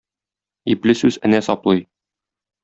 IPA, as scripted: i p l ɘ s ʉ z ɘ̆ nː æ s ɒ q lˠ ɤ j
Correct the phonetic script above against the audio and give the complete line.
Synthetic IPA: i p l ɘ s ʉ z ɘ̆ n æ s ɒ p lˠ ɤ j